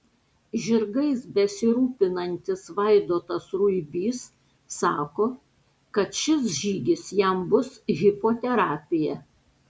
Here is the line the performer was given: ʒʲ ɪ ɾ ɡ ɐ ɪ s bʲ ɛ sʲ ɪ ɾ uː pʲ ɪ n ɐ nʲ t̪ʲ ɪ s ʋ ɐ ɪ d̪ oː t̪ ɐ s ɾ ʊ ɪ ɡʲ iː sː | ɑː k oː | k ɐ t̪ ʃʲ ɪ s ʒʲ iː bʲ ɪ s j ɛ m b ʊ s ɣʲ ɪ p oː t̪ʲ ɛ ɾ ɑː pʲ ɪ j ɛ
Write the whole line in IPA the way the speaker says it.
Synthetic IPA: ʒʲ ɪ ɾ ɡ ɐ ɪ s bʲ ɛ sʲ ɪ ɾ uː pʲ ɪ n ɐ nʲ t̪ʲ ɪ s ʋ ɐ ɪ d̪ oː t̪ ɐ s ɾ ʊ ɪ bʲ iː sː | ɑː k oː | k ɐ t̪ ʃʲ ɪ s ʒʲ iː ɡʲ ɪ s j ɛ m b ʊ s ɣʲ ɪ p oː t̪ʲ ɛ ɾ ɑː pʲ ɪ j ɛ